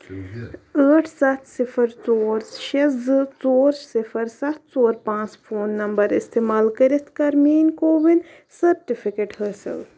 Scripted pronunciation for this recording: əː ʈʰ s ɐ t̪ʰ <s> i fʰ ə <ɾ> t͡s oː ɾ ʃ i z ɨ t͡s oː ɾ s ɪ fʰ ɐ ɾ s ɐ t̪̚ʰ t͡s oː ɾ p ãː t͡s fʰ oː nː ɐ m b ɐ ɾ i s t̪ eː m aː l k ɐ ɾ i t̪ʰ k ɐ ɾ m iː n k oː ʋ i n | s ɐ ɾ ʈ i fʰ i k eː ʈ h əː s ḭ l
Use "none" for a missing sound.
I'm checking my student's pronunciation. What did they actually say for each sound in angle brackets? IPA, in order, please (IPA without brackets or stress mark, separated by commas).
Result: s, ɾ